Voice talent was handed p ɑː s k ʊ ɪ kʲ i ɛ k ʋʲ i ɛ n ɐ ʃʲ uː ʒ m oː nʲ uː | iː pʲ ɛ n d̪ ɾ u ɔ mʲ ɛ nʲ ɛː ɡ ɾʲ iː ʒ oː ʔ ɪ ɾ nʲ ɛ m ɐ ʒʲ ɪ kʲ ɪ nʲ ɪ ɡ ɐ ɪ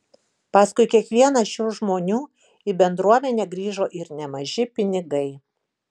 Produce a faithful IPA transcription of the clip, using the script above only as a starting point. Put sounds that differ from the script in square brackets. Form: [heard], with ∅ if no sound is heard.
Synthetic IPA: p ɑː s k ʊ ɪ kʲ i ɛ k ʋʲ i ɛ n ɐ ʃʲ uː ʒ m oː nʲ uː | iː [bʲ] ɛ n d̪ ɾ u ɔ mʲ ɛ nʲ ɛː ɡ ɾʲ iː ʒ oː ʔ ɪ ɾ nʲ ɛ m ɐ ʒʲ ɪ [pʲ] ɪ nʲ ɪ ɡ ɐ ɪ